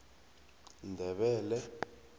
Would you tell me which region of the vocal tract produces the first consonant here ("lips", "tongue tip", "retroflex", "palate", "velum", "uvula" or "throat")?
tongue tip